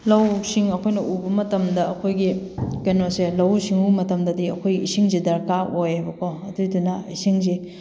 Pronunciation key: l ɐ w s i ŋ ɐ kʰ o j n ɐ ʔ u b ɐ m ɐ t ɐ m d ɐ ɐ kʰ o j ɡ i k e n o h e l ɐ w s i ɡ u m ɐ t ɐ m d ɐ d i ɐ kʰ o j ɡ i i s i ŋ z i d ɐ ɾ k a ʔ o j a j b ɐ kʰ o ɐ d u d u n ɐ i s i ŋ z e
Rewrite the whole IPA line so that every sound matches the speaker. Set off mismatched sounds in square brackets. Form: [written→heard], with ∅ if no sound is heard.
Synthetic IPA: l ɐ w s i ŋ ɐ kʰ o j n ɐ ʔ u b ɐ m ɐ t ɐ m d ɐ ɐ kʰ o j ɡ i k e n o [h→s] e l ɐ w s i [ɡ→ŋ] u m ɐ t ɐ m d ɐ d i ɐ kʰ o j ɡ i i s i ŋ z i d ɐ ɾ k a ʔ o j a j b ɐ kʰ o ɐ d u d u n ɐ i s i ŋ z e